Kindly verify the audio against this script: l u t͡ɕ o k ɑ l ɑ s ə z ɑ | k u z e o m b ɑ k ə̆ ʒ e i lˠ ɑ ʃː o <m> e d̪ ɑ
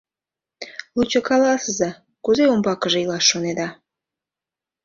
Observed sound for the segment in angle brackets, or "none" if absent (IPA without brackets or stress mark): n